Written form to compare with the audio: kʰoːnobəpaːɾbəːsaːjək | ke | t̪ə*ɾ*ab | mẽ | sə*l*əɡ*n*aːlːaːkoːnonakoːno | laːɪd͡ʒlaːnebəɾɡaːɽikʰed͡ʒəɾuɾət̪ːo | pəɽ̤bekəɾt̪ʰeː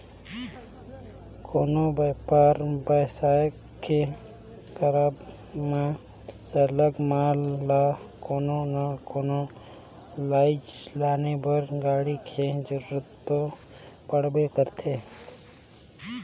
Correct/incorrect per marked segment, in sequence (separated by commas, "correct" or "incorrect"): correct, correct, incorrect